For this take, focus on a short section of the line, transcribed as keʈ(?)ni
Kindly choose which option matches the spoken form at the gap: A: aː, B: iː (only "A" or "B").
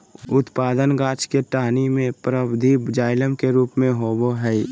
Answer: A